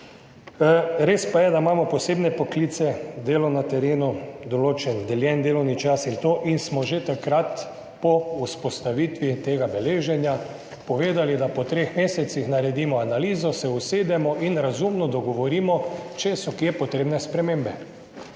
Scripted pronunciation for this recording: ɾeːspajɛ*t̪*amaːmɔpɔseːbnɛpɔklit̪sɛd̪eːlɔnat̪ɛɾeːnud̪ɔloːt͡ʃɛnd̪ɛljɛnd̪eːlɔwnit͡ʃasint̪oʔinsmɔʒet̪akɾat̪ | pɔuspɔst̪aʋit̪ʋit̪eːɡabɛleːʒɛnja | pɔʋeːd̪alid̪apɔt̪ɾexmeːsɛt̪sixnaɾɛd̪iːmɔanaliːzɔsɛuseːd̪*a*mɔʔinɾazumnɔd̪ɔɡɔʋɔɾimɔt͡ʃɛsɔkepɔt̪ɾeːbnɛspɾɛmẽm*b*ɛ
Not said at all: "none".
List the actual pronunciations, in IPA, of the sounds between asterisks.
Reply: d̪, ɛ, b

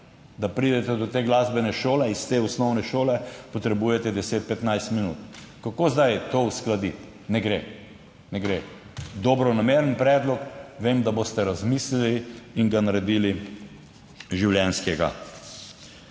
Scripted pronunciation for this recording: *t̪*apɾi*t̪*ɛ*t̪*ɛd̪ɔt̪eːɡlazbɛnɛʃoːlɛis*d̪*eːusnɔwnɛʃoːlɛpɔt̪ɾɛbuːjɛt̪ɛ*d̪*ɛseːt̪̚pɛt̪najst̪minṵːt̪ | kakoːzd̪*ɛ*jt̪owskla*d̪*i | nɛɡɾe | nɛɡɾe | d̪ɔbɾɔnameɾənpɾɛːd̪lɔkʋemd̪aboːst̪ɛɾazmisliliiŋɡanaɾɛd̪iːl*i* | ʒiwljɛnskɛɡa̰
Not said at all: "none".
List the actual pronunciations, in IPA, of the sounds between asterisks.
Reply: d̪, d̪, t̪, t̪, d̪, a, d̪, i

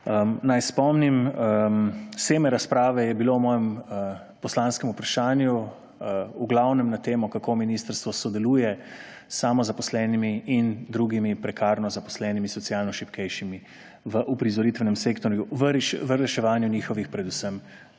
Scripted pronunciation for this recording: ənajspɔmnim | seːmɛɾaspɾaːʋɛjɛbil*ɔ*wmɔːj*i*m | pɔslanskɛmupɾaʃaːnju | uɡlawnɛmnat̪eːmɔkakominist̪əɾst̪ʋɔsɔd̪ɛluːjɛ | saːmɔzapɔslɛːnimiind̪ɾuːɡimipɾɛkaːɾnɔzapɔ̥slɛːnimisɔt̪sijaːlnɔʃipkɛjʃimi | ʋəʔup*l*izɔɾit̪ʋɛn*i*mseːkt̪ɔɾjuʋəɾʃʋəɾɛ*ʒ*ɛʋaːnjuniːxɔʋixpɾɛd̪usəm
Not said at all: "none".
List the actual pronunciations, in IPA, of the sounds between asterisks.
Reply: o, ɛ, ɾ, ɛ, ʃ

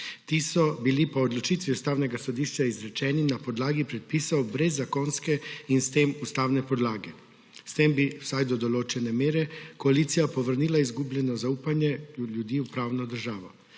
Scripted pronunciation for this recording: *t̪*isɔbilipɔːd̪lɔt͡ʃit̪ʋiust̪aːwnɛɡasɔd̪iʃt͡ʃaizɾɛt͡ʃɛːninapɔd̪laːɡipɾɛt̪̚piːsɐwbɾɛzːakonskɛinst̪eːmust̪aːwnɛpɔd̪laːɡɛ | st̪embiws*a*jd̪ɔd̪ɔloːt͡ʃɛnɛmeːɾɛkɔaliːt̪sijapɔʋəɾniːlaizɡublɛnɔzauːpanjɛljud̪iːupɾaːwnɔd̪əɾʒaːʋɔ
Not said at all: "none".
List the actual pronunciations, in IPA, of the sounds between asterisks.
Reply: t̪, a

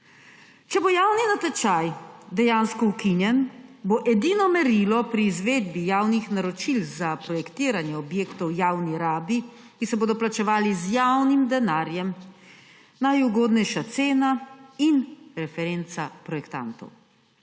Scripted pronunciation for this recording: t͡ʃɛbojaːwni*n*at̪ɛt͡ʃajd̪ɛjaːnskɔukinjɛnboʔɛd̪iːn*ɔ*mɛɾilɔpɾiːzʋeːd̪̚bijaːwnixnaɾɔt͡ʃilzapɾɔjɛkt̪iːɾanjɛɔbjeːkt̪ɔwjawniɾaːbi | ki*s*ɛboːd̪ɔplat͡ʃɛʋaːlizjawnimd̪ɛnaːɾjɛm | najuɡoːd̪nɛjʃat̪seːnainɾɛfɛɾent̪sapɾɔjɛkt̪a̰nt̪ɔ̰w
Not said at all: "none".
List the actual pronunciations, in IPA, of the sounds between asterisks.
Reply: n, ɔ, s

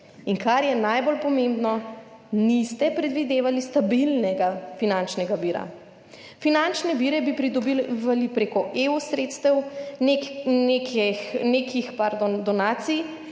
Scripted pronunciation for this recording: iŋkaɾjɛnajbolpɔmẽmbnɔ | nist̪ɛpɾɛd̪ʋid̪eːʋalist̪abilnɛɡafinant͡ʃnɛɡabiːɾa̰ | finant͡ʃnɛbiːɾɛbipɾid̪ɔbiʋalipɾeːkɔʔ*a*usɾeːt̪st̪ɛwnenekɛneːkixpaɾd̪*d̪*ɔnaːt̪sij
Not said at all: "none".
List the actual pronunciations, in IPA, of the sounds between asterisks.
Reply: e, d̪

